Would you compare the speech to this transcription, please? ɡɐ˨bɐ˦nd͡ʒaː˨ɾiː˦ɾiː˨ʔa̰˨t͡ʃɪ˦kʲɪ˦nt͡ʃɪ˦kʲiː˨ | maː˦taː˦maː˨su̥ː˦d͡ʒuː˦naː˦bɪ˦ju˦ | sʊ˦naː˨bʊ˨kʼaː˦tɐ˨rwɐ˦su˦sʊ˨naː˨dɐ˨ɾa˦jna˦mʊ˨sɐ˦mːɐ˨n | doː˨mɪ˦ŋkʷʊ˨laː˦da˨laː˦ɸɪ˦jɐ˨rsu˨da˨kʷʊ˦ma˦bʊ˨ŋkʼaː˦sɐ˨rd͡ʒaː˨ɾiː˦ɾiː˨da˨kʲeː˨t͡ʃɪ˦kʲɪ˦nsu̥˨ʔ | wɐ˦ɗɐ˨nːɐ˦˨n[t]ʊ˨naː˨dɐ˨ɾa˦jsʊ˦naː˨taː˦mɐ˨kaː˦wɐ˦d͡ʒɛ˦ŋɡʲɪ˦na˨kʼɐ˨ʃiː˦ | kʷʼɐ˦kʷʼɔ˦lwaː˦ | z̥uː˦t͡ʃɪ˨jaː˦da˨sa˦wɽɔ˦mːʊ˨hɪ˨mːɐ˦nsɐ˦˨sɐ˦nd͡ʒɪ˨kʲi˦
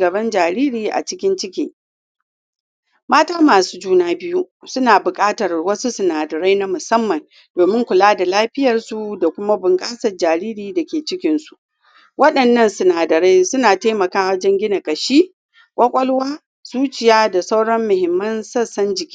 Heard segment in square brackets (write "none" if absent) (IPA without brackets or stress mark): s